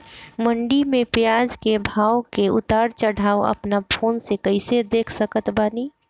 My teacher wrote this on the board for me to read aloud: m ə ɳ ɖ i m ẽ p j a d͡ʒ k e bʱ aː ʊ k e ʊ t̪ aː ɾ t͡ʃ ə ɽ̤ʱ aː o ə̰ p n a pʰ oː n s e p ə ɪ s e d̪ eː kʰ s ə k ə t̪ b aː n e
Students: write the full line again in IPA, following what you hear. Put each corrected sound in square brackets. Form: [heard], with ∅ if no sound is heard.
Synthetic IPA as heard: m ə ɳ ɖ i m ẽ p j a d͡ʒ k e bʱ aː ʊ k e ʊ t̪ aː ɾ t͡ʃ ə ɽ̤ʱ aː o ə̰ p n a pʰ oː n s e [k] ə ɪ s e d̪ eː kʰ s ə k ə t̪ b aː n [i]